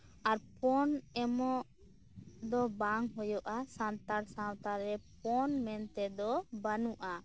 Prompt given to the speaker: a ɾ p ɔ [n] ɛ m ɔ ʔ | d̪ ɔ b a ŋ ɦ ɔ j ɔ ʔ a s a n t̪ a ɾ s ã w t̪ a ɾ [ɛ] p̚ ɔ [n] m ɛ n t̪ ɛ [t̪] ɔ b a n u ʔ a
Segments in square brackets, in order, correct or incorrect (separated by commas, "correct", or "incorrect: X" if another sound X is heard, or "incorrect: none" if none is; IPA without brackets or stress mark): correct, correct, correct, incorrect: d̪